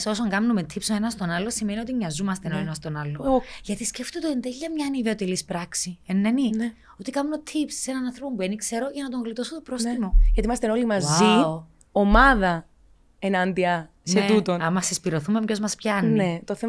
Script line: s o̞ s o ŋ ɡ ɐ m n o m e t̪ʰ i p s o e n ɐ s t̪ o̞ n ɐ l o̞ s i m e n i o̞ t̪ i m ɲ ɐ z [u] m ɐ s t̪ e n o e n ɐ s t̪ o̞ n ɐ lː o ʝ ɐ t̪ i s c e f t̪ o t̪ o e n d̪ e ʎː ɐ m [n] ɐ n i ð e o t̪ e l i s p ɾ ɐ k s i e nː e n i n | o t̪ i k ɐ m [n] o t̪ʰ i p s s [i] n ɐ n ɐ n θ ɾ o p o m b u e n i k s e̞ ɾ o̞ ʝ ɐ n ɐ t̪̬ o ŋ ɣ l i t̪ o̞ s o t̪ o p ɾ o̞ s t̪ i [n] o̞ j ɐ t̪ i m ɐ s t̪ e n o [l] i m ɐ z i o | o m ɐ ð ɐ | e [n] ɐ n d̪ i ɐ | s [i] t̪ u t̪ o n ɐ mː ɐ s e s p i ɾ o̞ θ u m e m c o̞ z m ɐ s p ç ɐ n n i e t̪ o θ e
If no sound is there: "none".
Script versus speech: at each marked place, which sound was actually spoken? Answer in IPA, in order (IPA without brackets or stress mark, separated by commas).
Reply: u, ɲ, n, e, m, l, n, e